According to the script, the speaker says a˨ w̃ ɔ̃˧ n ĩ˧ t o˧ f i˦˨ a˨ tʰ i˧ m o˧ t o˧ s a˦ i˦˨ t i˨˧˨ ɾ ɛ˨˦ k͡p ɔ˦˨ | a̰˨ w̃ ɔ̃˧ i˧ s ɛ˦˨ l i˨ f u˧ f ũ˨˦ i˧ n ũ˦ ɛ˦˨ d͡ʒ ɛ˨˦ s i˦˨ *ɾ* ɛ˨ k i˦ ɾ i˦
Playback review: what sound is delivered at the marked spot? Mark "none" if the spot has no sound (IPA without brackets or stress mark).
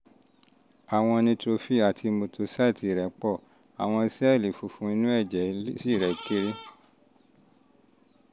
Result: ɾ